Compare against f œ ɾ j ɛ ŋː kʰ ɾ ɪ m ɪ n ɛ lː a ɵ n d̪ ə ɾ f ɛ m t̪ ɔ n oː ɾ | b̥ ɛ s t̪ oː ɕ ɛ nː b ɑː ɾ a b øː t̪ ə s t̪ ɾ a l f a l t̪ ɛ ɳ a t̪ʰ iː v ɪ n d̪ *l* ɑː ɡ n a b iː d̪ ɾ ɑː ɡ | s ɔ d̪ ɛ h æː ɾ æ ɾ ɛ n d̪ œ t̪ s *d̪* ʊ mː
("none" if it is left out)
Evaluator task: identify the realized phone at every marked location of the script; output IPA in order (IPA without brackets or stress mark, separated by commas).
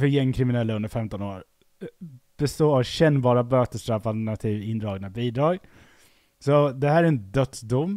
ɾ, d̪